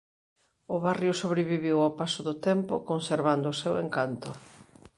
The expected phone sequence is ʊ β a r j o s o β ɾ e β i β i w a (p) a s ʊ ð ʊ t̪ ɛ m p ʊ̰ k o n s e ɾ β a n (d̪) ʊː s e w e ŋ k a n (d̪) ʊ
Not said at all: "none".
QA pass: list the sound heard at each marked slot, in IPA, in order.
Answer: p, d̪, t̪

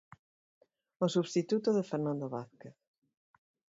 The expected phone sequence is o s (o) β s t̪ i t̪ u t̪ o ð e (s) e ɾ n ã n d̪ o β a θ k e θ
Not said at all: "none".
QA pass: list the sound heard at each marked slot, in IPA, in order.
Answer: u, f

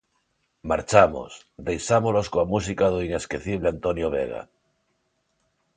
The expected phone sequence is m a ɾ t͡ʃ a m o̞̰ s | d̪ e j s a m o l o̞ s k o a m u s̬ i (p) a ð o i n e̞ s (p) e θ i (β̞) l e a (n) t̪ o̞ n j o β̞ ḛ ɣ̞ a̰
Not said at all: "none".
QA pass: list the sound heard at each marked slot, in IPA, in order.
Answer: k, k, β̞, n

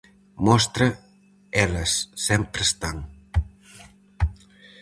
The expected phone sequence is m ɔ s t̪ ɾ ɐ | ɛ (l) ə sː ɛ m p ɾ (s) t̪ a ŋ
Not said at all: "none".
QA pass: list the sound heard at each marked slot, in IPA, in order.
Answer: l, s

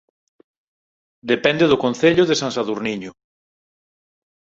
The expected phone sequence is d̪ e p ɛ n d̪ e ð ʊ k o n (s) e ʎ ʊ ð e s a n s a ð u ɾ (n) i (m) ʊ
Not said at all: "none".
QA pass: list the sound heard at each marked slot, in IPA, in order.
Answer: θ, n, ɲ

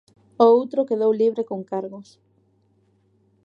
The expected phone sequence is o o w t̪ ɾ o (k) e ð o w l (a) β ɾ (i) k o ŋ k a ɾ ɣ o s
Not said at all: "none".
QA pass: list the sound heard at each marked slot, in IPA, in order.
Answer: k, i, e

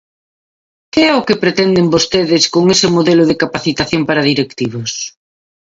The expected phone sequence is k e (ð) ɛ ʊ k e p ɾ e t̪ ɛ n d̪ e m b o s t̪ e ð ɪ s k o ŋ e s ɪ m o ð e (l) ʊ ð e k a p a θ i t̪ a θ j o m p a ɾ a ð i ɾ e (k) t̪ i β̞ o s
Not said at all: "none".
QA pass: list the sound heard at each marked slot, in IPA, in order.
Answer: none, l, k

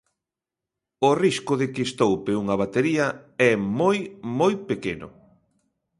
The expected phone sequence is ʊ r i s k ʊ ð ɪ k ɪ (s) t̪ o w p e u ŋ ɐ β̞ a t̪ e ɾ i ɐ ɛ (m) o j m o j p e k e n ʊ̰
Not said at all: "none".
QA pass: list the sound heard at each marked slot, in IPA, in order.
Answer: s, m

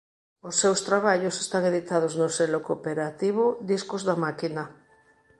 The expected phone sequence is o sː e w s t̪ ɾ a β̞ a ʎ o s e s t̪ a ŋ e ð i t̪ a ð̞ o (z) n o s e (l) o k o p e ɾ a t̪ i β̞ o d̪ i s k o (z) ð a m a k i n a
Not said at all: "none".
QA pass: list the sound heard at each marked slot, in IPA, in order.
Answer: z, l, z

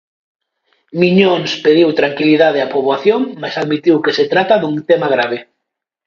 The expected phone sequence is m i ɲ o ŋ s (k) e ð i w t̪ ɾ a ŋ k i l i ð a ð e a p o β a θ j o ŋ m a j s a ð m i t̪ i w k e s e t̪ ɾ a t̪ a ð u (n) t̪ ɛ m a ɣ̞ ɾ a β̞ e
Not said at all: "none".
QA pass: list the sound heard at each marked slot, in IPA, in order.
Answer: p, ŋ

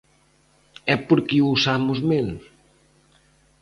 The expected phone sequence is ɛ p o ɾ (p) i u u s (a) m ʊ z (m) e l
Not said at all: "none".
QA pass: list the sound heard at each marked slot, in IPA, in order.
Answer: k, a, m

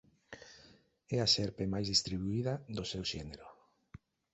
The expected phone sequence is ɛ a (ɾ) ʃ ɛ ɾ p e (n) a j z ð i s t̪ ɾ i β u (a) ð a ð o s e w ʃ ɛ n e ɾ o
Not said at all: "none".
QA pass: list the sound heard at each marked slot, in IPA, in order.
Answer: none, m, i

